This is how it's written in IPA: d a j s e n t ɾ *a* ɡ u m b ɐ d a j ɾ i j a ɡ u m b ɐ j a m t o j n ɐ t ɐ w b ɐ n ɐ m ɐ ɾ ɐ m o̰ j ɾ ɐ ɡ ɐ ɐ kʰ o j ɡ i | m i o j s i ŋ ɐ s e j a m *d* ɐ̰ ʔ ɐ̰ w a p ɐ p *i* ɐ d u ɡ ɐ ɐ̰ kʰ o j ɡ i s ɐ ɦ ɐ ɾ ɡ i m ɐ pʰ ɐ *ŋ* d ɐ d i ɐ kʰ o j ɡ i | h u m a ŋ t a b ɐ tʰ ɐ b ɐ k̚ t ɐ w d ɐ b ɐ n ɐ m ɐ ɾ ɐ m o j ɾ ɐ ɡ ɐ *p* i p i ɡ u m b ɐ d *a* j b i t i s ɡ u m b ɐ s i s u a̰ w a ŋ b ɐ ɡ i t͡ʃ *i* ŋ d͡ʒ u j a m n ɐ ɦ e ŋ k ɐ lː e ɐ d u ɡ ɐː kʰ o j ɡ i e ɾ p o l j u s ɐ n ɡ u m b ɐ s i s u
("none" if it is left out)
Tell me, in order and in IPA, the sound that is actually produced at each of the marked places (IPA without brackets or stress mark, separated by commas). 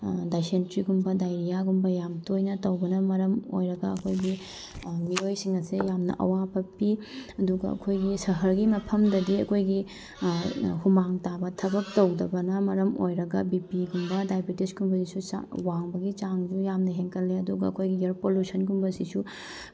i, n, i, m, b, a, a